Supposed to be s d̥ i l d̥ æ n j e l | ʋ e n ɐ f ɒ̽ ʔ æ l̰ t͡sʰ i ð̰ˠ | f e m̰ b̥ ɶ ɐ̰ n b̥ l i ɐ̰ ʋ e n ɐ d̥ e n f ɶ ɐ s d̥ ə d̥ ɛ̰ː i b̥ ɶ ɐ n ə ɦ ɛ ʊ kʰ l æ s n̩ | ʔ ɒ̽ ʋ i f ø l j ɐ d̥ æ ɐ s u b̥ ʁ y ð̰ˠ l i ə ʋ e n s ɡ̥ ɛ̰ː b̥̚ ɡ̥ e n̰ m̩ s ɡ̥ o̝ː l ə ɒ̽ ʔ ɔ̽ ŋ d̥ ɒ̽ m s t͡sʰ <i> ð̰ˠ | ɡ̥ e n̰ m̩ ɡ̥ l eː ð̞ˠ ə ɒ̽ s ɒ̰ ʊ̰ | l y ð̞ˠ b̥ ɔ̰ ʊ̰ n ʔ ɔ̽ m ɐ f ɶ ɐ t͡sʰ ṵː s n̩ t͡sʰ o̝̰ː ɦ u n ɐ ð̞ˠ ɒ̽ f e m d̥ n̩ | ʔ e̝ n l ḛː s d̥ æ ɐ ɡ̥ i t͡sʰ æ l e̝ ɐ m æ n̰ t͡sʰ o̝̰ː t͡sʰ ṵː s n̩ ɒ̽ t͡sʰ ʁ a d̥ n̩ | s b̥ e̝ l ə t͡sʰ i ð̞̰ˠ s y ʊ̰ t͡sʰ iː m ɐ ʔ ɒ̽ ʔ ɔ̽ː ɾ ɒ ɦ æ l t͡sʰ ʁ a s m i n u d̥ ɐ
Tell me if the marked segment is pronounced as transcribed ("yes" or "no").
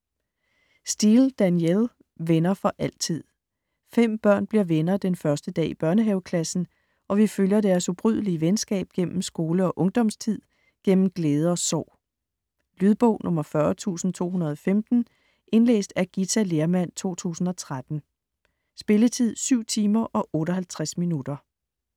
yes